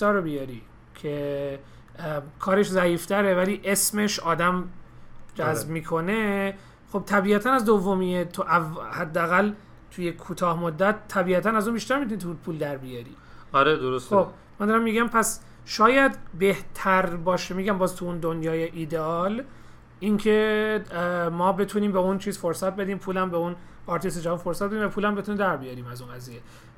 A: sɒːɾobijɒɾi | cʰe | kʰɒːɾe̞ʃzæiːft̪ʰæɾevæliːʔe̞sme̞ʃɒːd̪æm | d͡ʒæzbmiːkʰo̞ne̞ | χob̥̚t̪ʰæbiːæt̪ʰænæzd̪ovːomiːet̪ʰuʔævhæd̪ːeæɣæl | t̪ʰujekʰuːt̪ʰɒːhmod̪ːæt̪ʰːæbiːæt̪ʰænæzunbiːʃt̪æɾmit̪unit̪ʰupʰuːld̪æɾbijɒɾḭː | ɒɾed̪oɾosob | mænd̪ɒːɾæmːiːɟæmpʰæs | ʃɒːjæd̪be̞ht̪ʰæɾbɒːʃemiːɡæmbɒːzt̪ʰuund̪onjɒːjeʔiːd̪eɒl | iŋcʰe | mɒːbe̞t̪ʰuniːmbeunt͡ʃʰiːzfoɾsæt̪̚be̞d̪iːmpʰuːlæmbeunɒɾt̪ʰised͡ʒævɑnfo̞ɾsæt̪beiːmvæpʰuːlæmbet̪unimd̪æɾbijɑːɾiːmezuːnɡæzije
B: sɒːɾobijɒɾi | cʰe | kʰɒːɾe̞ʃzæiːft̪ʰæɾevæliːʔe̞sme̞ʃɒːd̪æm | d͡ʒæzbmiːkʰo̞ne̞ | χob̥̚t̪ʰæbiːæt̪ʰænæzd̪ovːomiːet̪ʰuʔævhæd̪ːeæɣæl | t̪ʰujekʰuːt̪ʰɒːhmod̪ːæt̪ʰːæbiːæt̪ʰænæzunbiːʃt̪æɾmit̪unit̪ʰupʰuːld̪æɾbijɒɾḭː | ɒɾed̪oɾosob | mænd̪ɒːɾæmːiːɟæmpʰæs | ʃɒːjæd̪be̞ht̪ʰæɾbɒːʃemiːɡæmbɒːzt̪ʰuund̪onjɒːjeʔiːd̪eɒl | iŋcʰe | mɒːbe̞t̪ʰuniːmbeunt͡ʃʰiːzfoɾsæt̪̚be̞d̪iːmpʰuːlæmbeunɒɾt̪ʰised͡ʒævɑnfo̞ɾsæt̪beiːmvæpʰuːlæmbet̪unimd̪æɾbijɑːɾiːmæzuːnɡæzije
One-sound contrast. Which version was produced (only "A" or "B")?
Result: B